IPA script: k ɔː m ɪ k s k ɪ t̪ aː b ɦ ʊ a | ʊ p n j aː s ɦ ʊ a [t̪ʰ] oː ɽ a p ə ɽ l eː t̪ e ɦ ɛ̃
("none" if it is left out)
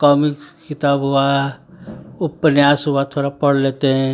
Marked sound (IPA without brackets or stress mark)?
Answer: t̪ʰ